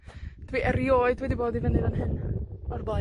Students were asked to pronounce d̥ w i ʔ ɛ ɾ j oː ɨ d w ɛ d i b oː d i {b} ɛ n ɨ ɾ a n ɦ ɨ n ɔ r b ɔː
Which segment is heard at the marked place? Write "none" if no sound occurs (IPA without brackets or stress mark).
v